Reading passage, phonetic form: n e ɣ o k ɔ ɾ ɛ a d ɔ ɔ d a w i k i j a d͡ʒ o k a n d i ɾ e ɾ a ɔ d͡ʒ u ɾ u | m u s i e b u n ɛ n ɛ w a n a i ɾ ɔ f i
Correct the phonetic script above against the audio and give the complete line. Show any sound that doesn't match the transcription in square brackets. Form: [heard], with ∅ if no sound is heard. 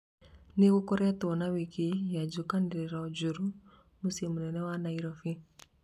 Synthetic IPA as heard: n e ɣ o k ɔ ɾ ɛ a [t] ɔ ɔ [n] a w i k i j a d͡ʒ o k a n d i ɾ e ɾ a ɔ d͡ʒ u ɾ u | m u s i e [m] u n ɛ n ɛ w a n a i ɾ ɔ f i